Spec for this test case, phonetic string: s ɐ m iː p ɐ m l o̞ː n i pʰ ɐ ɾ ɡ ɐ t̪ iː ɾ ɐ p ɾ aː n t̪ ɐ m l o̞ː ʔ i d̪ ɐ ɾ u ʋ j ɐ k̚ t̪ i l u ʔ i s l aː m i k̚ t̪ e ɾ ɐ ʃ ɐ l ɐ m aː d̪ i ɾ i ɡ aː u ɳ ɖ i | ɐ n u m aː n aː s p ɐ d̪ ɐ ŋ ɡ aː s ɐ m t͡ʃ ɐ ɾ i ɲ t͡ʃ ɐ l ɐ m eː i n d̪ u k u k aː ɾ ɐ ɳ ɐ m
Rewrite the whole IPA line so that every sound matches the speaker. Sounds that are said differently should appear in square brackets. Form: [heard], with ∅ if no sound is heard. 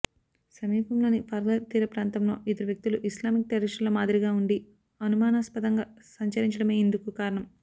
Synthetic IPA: s ɐ m iː p ɐ m l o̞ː n i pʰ ɐ ɾ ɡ ɐ t̪ iː ɾ ɐ p ɾ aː n t̪ ɐ m l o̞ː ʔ i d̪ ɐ ɾ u ʋ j ɐ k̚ t̪ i l u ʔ i s l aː m i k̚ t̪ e ɾ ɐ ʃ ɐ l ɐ m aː d̪ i ɾ i ɡ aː u ɳ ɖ i | ɐ n u m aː n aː s p ɐ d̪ ɐ ŋ ɡ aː s ɐ [ɲ] t͡ʃ ɐ ɾ i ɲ t͡ʃ ɐ [ɽ] ɐ m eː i n d̪ u k u k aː ɾ ɐ ɳ ɐ m